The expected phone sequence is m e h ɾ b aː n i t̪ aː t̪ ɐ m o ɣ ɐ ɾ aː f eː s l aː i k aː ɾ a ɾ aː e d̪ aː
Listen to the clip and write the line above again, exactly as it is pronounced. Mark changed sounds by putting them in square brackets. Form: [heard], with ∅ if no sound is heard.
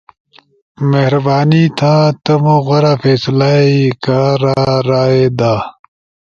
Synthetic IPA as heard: m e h ɾ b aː n i [t̪ʰ] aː t̪ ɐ m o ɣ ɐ ɾ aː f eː s l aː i k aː ɾ a ɾ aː e d̪ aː